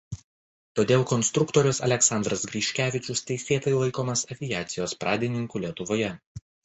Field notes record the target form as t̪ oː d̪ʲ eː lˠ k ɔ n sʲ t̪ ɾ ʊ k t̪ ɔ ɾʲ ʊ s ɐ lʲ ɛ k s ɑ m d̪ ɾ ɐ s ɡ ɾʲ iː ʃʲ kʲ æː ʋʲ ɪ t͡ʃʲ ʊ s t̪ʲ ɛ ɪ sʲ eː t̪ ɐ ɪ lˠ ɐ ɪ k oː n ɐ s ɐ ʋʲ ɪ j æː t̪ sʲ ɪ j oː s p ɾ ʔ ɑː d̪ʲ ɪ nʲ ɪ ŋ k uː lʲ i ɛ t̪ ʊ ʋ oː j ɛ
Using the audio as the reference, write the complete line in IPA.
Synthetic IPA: t̪ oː d̪ʲ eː lˠ k ɔ n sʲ t̪ ɾ ʊ k t̪ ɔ ɾʲ ʊ s ɐ lʲ ɛ k s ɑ n d̪ ɾ ɐ s ɡ ɾʲ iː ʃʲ kʲ æː ʋʲ ɪ t͡ʃʲ ʊ s t̪ʲ ɛ ɪ sʲ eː t̪ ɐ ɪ lˠ ɐ ɪ k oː m ɐ s ɐ ʋʲ ɪ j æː t̪ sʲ ɪ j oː s p ɾ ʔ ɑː d̪ʲ ɪ nʲ ɪ ŋ k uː lʲ i ɛ t̪ ʊ ʋ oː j ɛ